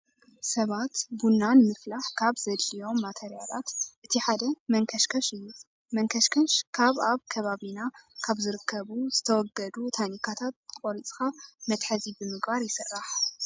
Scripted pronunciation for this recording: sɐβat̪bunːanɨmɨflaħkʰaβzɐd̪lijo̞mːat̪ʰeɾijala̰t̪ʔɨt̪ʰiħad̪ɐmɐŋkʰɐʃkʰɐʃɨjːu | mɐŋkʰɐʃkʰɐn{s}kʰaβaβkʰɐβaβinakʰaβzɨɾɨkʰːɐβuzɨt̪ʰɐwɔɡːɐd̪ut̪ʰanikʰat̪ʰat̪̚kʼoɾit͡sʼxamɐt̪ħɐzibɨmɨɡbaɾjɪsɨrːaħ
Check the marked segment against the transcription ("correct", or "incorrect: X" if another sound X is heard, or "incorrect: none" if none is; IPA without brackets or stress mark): incorrect: ʃ